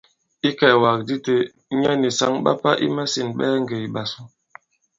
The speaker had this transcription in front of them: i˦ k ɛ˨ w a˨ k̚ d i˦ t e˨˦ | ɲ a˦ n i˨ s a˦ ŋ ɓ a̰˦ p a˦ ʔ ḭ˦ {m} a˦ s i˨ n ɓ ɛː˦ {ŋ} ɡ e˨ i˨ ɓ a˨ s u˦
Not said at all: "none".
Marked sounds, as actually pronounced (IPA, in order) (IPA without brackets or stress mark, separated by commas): m, ŋ